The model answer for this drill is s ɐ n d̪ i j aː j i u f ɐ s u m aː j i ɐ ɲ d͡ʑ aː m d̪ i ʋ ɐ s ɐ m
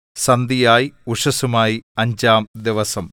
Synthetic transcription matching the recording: s ɐ n d̪ i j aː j i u ʂ ɐ s u m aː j i ɐ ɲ d͡ʑ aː m d̪ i ʋ ɐ s ɐ m